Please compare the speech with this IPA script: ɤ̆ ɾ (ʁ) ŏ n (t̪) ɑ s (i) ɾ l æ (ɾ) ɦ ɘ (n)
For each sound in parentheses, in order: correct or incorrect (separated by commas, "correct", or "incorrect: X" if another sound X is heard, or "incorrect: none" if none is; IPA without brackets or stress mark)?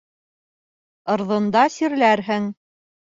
incorrect: ð, incorrect: d̪, correct, correct, incorrect: ŋ